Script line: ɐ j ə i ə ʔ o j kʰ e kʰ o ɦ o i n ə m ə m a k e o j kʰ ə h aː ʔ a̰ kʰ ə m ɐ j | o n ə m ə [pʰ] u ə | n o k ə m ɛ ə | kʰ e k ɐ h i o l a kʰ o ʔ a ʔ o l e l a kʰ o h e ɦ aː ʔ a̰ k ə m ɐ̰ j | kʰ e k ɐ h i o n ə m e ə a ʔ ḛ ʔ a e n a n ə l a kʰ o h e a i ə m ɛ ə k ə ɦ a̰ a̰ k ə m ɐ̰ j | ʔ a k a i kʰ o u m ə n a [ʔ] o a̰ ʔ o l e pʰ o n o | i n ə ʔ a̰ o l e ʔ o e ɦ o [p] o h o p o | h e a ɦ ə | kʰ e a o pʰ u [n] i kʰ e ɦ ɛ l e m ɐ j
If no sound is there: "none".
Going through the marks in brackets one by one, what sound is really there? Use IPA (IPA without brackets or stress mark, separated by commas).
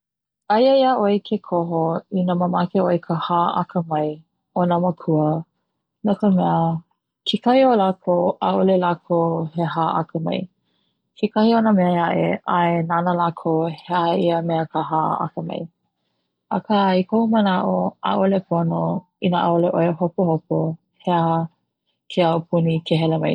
kʰ, ʔ, p, n